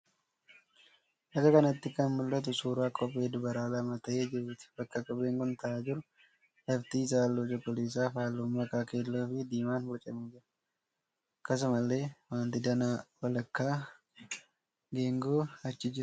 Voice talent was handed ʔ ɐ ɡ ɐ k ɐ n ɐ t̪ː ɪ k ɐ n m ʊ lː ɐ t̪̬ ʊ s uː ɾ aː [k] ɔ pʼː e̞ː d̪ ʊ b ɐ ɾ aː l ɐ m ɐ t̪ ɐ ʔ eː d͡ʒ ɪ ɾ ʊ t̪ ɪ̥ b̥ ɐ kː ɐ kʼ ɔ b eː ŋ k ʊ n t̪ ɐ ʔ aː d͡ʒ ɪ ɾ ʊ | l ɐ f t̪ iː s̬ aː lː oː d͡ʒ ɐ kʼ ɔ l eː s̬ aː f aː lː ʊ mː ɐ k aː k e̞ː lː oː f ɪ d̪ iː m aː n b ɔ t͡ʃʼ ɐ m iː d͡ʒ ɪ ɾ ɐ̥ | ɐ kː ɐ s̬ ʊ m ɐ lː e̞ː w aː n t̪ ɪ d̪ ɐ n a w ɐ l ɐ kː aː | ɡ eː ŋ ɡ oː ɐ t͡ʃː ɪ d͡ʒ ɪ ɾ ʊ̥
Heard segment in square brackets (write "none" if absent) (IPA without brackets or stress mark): kʼ